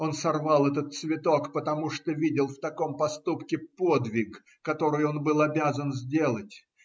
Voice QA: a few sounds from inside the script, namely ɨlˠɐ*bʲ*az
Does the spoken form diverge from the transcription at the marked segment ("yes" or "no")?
no